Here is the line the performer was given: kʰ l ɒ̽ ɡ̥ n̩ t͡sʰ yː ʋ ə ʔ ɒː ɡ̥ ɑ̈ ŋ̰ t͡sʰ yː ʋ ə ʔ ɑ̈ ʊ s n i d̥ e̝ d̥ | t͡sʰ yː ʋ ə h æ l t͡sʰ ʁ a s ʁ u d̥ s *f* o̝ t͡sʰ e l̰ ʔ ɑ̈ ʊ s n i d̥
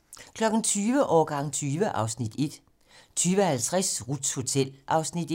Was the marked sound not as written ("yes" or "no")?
yes